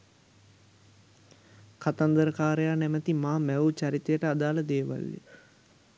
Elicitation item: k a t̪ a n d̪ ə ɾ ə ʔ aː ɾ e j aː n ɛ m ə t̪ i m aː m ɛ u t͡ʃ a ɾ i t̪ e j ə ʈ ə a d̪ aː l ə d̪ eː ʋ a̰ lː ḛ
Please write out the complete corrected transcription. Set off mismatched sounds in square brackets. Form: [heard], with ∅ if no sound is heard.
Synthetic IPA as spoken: k a t̪ a n d̪ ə ɾ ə [k] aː ɾ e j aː n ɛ m ə t̪ i m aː m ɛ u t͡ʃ a ɾ i t̪ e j ə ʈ ə a d̪ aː l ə d̪ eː ʋ a̰ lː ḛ